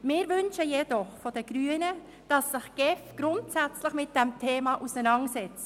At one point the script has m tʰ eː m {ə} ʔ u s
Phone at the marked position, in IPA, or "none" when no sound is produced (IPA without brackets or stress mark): ɑ